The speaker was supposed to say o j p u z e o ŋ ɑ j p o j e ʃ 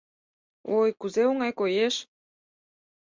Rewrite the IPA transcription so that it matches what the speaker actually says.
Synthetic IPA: o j k u z e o ŋ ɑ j k o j e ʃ